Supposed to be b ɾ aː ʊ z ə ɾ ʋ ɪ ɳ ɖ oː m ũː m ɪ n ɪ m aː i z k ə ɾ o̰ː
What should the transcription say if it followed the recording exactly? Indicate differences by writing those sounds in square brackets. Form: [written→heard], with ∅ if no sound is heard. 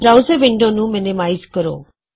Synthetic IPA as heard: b ɾ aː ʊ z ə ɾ ʋ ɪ ɳ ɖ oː [m→n] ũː m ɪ n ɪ m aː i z k ə ɾ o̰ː